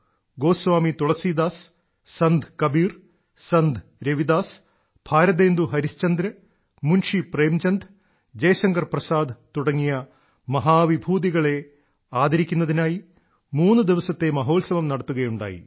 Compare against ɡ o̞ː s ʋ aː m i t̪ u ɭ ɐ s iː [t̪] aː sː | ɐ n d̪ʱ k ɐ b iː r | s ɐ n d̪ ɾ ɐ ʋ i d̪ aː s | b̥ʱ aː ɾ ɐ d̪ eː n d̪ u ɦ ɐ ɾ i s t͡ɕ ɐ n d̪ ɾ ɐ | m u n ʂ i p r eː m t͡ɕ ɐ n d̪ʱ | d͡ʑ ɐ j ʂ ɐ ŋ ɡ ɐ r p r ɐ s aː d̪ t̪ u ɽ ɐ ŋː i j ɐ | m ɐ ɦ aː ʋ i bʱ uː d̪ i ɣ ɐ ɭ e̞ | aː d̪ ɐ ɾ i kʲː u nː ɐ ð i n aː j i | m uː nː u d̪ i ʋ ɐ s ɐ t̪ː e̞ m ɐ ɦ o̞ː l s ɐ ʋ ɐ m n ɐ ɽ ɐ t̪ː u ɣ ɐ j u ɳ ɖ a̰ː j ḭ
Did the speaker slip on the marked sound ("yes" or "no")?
yes